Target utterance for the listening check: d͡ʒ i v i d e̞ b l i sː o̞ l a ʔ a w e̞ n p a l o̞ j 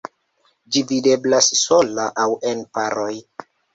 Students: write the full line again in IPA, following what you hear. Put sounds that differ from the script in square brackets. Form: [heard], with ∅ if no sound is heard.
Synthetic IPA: d͡ʒ i v i d e̞ b l [a] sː o̞ l a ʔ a w e̞ n p a [ɾ] o̞ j

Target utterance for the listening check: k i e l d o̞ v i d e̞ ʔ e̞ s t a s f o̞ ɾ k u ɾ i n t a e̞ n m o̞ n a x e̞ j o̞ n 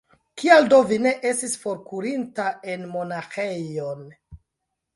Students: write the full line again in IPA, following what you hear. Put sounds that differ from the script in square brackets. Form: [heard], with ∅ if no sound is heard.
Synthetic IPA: k i [a] l d o̞ v i [n] e̞ ʔ e̞ s t [i] s f o̞ ɾ k u ɾ i n t a e̞ n m o̞ n a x e̞ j o̞ n

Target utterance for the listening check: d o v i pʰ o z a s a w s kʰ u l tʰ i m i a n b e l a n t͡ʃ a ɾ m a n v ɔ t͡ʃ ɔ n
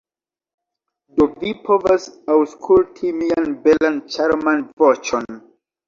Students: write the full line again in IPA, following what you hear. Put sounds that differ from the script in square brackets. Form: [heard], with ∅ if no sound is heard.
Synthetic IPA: d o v i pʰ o [v] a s a w s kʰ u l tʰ i m i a n b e l a n t͡ʃ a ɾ m a n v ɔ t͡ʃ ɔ n

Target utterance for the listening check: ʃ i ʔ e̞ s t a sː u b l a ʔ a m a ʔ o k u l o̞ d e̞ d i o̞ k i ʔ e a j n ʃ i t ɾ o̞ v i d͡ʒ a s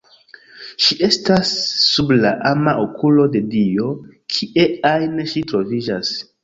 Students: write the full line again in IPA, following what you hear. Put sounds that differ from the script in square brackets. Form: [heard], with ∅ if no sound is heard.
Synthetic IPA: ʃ i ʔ e̞ s t a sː u b l a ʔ a m a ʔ o k u l o̞ d e̞ d i o̞ [kʰ] i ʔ e a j n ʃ i t ɾ o̞ v i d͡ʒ a s

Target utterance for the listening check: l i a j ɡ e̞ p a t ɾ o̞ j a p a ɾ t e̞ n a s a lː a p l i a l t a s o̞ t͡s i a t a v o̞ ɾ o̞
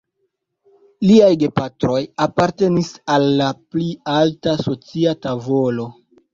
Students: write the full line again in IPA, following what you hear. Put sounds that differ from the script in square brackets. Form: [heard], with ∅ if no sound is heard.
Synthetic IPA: l i a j ɡ e̞ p a t ɾ o̞ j a p a ɾ t e̞ n [i] s a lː a p l i a l t a s o̞ t͡s i a t a v o̞ [l] o̞

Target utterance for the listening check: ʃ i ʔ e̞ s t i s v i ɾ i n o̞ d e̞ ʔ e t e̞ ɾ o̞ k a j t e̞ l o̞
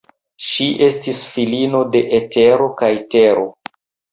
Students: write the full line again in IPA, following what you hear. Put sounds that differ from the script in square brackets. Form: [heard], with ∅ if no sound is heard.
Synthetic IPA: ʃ i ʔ e̞ s t i s [f] i [l] i n o̞ d e̞ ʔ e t e̞ ɾ o̞ k a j t e̞ [ɾ] o̞

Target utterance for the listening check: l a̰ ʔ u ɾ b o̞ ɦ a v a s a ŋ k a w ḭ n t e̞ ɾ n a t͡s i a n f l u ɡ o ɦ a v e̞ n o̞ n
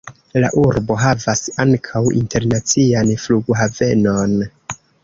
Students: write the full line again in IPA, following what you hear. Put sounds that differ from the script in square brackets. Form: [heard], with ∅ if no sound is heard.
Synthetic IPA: l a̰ ʔ u ɾ b o̞ ɦ a v a s a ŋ [kʰ] a w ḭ n t e̞ ɾ n a t͡s i a n f l u ɡ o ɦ a v e̞ n o̞ n

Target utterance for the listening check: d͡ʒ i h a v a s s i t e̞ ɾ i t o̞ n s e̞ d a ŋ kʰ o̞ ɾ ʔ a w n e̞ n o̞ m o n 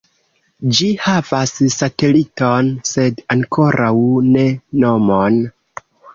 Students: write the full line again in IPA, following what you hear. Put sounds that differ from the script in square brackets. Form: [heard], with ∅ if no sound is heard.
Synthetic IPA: d͡ʒ i h a v a s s [a] t e̞ [l] i t o̞ n s e̞ d a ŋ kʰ o̞ ɾ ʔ a w n e̞ n o̞ m o n

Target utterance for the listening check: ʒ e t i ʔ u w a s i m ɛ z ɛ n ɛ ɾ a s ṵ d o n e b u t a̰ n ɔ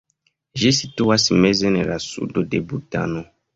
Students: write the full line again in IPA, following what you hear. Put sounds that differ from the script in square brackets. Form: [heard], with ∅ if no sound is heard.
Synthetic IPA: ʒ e [s] i [t] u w a s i m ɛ z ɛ n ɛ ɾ a s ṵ d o [d] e b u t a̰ n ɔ

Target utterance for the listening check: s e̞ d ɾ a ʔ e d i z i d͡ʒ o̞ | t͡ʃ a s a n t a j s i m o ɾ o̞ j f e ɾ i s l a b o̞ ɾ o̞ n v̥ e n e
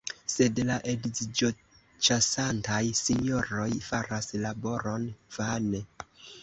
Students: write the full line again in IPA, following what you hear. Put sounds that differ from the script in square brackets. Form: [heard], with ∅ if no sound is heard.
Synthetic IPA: s e̞ d [l] a ʔ e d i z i d͡ʒ o̞ | t͡ʃ a s a n t a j s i [ɲ] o ɾ o̞ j f [a] ɾ [a] s l a b o̞ ɾ o̞ n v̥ [a] n e

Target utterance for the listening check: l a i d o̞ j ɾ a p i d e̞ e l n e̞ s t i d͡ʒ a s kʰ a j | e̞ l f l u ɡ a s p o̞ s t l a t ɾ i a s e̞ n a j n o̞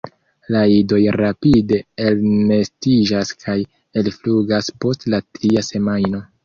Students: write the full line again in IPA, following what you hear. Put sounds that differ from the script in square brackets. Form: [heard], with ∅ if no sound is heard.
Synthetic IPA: l a i d o̞ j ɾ a p i d e̞ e l n e̞ s t i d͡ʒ a s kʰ a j | e̞ l f l u ɡ a s p o̞ s t l a t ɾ i a s e̞ [m] a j n o̞

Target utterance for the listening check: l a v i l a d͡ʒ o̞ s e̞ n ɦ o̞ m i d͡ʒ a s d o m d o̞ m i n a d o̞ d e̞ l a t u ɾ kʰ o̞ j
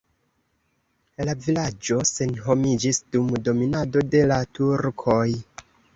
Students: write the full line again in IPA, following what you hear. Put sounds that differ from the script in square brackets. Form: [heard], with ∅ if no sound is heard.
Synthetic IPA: l a v i l a d͡ʒ o̞ s e̞ n ɦ o̞ m i d͡ʒ [i] s d [u] m d o̞ m i n a d o̞ d e̞ l a t u ɾ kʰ o̞ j

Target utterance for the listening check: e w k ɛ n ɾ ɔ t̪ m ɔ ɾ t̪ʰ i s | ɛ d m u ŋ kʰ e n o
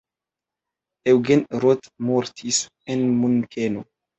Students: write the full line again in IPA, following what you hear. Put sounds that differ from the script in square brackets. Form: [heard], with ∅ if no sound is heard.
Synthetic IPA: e w [ɡ] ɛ n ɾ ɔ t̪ m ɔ ɾ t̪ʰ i s | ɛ [n] m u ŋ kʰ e n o

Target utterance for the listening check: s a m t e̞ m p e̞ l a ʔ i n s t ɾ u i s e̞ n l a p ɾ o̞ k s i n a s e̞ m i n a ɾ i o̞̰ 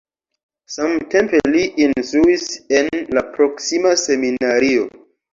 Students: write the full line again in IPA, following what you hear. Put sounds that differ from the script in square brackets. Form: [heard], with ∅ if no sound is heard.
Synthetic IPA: s a m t e̞ m p e̞ l [i] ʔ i n s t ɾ u i s e̞ n l a p ɾ o̞ k s i [m] a s e̞ m i n a ɾ i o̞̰

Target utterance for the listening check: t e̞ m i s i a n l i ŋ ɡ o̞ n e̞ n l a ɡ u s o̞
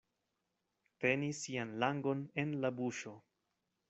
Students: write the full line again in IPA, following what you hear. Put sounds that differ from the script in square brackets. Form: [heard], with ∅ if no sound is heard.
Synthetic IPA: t e̞ [n] i s i a n l [a] ŋ ɡ o̞ n e̞ n l a [b] u [ʃ] o̞

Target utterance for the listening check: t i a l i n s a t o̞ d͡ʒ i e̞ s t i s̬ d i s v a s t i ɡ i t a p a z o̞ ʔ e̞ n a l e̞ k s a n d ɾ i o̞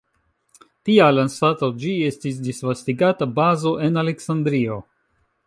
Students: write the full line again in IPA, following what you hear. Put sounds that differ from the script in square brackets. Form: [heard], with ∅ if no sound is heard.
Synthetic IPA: t i a l [a] n s a t o̞ d͡ʒ i e̞ s t i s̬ d i s v a s t i ɡ [a] t a [b] a z o̞ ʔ e̞ n a l e̞ k s a n d ɾ i o̞

